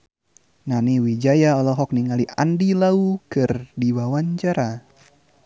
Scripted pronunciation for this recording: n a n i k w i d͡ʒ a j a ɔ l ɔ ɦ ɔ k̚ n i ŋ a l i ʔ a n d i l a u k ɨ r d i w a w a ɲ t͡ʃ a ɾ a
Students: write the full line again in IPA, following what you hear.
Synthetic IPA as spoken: n a n i w i d͡ʒ a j a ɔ l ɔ ɦ ɔ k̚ n i ŋ a l i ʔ a n d i l a u k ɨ r d i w a w a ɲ t͡ʃ a ɾ a

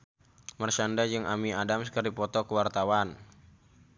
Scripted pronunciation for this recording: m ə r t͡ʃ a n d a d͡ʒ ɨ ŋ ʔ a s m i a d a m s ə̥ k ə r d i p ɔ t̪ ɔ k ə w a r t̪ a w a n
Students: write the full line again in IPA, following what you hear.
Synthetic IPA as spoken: m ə r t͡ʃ a n d a d͡ʒ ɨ ŋ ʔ a m i a d a m s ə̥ k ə r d i p ɔ t̪ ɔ k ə w a r t̪ a w a n

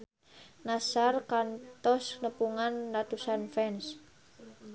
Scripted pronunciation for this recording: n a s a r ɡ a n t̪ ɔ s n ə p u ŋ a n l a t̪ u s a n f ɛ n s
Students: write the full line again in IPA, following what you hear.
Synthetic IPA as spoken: n a s a r k a n t̪ ɔ s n ə p u ŋ a n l a t̪ u s a n f ɛ n s

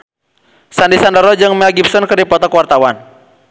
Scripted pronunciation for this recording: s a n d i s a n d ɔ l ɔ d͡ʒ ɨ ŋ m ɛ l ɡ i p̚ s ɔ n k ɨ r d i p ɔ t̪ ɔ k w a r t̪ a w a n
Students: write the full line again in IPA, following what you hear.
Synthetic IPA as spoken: s a n d i s a n d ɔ ɾ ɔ d͡ʒ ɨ ŋ m ɛ l ɡ i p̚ s ɔ n k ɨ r d i p ɔ t̪ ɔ k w a r t̪ a w a n

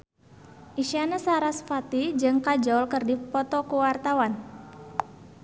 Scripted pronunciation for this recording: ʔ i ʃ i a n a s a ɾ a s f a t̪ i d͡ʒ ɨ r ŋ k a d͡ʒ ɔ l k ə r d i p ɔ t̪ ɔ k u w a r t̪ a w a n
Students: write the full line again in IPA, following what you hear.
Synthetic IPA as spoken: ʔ i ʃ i a n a s a ɾ a s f a t̪ i d͡ʒ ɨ ŋ k a d͡ʒ ɔ l k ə r d i p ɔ t̪ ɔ k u w a r t̪ a w a n

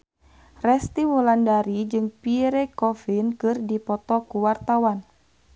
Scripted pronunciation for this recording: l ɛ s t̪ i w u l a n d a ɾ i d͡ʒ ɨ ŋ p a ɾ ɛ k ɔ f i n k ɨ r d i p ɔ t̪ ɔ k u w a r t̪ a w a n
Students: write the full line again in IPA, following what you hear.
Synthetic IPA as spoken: r ɛ s t̪ i w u l a n d a ɾ i d͡ʒ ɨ ŋ p i ɾ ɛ k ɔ f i n k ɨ r d i p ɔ t̪ ɔ k u w a r t̪ a w a n

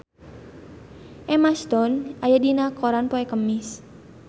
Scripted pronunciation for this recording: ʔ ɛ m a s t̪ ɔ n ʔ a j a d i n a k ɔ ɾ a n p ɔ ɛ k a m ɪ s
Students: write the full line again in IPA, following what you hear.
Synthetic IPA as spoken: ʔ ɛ m a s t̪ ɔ n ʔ a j a d i n a k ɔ ɾ a n p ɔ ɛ k ə m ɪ s

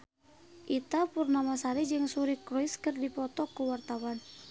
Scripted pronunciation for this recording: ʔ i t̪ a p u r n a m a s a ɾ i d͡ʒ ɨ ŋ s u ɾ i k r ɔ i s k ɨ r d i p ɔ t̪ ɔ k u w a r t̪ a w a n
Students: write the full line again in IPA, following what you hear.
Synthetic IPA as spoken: ʔ i t̪ a p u r n a m a s a ɾ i d͡ʒ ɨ ŋ s u ɾ i k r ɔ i s k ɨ r d i p ɔ t̪ ɔ k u w a r t̪ a w a n

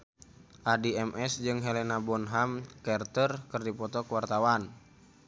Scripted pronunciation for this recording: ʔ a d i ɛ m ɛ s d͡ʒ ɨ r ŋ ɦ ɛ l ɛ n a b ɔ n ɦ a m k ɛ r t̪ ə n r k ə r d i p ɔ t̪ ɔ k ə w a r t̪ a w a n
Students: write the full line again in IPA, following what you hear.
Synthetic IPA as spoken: ʔ a d i ɛ m ɛ s d͡ʒ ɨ ŋ ɦ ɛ l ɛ n a b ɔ n ɦ a m k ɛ r t̪ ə r k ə r d i p ɔ t̪ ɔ k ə w a r t̪ a w a n

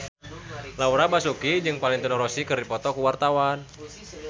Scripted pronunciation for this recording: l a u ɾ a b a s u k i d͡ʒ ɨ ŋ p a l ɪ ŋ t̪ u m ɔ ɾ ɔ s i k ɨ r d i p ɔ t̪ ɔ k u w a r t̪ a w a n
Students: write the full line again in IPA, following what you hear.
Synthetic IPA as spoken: l a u ɾ a b a s u k i d͡ʒ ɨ ŋ p a l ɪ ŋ t̪ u n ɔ ɾ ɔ s i k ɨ r d i p ɔ t̪ ɔ k u w a r t̪ a w a n

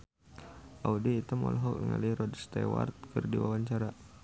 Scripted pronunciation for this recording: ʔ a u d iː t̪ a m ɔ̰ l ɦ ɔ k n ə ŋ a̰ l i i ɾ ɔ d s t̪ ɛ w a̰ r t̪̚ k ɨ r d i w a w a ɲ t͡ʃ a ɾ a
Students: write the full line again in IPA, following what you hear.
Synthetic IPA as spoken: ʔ a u d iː t̪ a m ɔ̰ l ɦ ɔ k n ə ŋ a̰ l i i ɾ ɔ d s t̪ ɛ w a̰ r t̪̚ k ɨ r d i w a w a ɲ t͡ʃ a ɾ a

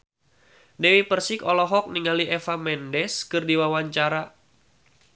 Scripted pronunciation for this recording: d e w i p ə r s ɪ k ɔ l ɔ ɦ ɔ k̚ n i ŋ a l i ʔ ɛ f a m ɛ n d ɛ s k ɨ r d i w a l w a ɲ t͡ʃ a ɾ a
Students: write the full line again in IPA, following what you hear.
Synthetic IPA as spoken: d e w i p ə r s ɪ k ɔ l ɔ ɦ ɔ k̚ n i ŋ a l i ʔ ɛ f a m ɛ n d ɛ s k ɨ r d i w a w a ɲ t͡ʃ a ɾ a

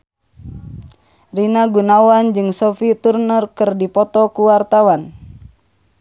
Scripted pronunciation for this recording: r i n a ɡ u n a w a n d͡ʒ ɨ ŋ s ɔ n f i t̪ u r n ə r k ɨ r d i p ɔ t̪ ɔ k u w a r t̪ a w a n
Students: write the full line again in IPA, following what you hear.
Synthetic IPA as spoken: r i n a ɡ u n a w a n d͡ʒ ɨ ŋ s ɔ f i t̪ u r n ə r k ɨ r d i p ɔ t̪ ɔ k u w a r t̪ a w a n

